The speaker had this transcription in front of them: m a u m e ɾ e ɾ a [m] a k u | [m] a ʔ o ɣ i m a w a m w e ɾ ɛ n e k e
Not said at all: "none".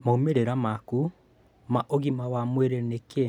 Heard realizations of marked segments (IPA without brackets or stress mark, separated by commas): m, m